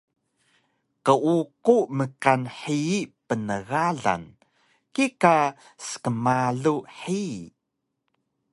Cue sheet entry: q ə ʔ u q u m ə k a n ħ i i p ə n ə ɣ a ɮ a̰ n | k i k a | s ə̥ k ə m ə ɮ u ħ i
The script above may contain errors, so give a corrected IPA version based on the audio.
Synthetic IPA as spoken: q ə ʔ u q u m ə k a n ħ i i p ə n ə ɣ a ɮ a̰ n | k i k a | s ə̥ k ə m a ɮ u ħ i

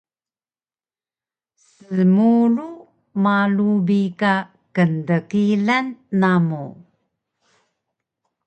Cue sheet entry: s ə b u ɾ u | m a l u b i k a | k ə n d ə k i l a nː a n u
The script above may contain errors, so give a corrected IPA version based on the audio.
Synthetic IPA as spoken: s ə m u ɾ u | m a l u b i k a | k ə n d ə k i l a nː a m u

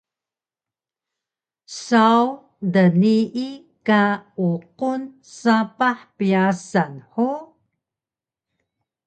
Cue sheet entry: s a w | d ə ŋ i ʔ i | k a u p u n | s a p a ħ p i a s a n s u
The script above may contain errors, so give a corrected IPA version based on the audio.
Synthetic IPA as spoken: s a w | d ə n i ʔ i | k a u q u n | s a p a ħ p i a s a n ħ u

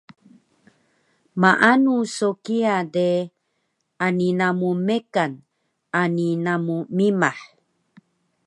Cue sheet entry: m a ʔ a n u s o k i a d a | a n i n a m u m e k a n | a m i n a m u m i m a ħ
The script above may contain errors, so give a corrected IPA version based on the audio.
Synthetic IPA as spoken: m a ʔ a n u s o k i a d e | a n i n a m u m e k a n | a n i n a m u m i m a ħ

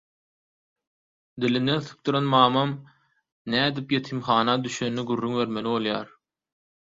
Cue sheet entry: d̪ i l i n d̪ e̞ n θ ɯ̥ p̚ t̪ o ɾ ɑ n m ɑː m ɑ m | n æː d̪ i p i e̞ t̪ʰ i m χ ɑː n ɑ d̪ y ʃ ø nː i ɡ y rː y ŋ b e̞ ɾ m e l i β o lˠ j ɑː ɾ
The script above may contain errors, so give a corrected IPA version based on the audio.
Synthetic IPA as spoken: d̪ i l i n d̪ e̞ n θ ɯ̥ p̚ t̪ u ɾ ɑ n m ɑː m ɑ m | n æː d̪ i p j e̞ t̪ʰ i m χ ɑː n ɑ d̪ y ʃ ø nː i ɡ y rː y ŋ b e̞ ɾ m e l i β o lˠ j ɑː ɾ

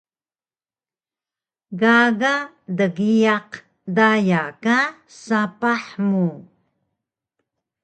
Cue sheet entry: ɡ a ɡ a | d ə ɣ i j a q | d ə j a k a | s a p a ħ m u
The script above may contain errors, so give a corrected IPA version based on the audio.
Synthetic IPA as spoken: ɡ a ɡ a | d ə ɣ i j a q | d a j a k a | s a p a ħ m u

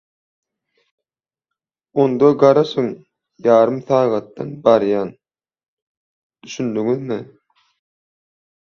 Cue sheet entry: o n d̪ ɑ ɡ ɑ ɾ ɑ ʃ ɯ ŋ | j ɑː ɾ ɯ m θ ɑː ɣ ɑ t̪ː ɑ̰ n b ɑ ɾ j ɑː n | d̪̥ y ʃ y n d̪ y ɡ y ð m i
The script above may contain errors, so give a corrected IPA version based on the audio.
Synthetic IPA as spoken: o n d̪ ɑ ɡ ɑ ɾ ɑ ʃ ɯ ŋ | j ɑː ɾ ɯ m θ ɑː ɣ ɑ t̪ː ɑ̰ n b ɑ ɾ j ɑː n | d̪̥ y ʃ y n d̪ y ŋ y ð m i

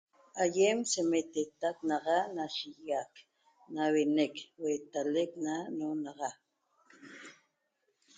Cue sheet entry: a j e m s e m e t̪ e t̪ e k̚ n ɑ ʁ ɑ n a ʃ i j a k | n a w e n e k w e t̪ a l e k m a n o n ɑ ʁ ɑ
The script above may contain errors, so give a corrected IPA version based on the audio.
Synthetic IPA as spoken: a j e m s e m e t̪ e t̪ a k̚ n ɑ ʁ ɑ n a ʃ i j a k | n a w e n e k w e t̪ a l e k n a n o n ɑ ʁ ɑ

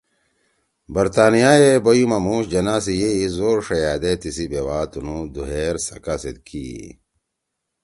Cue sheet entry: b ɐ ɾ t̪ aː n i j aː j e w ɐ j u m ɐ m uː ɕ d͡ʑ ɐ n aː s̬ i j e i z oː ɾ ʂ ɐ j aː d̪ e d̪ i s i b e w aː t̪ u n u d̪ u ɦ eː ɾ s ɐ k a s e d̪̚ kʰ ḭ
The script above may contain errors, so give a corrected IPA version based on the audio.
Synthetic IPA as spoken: b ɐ ɾ t̪ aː n i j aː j e b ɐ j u m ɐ m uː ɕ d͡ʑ ɐ n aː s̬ i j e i z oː ɾ ʂ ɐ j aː d̪ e t̪ i s i b e w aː t̪ u n u d̪ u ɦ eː ɾ s ɐ k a s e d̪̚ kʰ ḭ

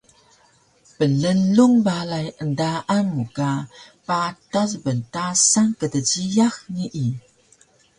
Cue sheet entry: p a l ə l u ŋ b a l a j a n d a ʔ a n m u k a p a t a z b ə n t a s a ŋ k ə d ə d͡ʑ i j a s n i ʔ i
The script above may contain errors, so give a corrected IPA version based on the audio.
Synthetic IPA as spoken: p ə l ə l u ŋ b a l a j ə n d a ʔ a n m u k a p a t a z b ə n t a s a ŋ k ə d ə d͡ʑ i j a x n i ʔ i

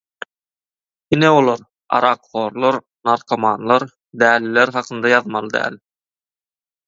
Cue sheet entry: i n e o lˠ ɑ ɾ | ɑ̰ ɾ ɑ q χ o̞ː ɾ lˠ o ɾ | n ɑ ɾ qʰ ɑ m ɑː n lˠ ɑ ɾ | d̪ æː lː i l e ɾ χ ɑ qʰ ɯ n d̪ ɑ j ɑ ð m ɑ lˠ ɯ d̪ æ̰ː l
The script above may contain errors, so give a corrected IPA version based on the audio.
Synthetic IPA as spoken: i n e o lˠ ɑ ɾ | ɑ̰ ɾ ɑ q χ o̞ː ɾ lˠ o ɾ | n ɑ ɾ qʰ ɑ m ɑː n lˠ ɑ ɾ | d̪ æː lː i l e ɾ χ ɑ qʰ ɯ n d̪ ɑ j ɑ ð m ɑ lˠ ɯ d̪ æ̰ː l

